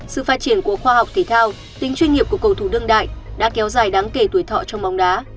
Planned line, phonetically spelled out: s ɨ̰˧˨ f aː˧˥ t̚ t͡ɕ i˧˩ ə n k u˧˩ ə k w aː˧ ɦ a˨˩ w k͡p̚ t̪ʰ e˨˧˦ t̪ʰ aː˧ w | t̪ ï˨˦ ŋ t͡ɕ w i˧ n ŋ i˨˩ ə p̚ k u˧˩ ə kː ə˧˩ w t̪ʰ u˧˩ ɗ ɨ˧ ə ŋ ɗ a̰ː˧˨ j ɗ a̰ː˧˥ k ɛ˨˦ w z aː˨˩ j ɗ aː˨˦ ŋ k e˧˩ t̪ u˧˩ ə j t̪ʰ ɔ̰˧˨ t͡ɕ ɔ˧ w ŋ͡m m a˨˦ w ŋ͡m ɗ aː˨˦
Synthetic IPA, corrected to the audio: s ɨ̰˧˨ f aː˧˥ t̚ t͡ɕ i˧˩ ə n k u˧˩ ə x w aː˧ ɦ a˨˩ w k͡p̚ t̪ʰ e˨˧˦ t̪ʰ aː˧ w | t̪ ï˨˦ ŋ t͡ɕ w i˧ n ŋ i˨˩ ə p̚ k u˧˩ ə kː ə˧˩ w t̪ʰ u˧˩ ɗ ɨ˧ ə ŋ ɗ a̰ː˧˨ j ɗ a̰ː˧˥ k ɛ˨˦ w z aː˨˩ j ɗ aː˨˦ ŋ k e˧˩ t̪ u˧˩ ə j t̪ʰ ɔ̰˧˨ t͡ɕ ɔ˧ w ŋ͡m m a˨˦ w ŋ͡m ɗ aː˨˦